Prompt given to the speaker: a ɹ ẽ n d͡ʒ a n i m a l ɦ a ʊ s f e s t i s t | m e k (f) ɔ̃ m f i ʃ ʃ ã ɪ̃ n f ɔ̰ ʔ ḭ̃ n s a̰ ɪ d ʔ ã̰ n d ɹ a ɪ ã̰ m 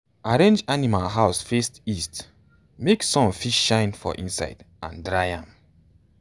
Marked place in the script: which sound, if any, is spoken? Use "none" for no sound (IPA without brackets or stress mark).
s